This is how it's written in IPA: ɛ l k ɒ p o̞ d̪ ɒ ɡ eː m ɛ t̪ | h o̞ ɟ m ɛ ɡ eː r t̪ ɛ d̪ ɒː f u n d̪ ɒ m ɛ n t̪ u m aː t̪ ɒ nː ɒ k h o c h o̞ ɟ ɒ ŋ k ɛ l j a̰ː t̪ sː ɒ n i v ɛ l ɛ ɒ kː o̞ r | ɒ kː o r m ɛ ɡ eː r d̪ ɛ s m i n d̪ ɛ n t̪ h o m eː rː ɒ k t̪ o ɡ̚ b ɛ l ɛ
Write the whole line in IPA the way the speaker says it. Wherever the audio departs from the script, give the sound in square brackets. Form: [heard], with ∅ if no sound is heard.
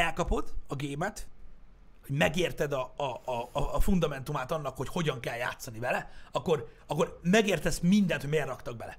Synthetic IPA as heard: ɛ l k ɒ p o̞ d̪ ɒ ɡ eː m ɛ t̪ | h o̞ ɟ m ɛ ɡ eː r t̪ ɛ d̪ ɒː f u n d̪ ɒ m ɛ n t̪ u m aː t̪ ɒ nː ɒ k h o c h o̞ ɟ ɒ ŋ k ɛ l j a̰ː t̪ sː ɒ n i v ɛ l ɛ ɒ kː o̞ r | ɒ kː o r m ɛ ɡ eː r [t̪] ɛ s m i n d̪ ɛ n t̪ h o m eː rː ɒ k t̪ [ɒ] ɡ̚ b ɛ l ɛ